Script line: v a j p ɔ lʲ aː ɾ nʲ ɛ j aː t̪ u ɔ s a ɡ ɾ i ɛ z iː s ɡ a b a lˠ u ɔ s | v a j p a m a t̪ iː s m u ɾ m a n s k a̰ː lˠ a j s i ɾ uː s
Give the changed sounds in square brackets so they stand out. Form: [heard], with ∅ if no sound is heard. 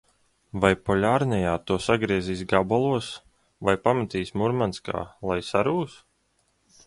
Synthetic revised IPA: v a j p ɔ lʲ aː ɾ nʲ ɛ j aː t̪ u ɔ s a ɡ ɾ i ɛ z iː s ɡ a b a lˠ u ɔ s | v a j p a m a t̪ iː s m u ɾ m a n s k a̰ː lˠ a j s [a] ɾ uː s